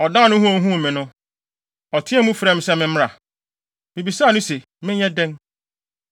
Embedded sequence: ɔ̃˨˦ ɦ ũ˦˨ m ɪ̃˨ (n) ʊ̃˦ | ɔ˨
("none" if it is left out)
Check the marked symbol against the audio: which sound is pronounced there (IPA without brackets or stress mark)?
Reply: n